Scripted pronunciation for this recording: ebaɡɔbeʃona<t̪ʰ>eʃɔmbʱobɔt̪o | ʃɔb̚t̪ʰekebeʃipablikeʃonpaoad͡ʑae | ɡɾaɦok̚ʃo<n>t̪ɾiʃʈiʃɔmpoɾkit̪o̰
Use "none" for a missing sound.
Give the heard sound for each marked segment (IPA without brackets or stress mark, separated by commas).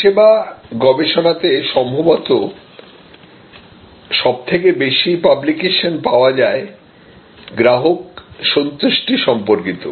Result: t̪, n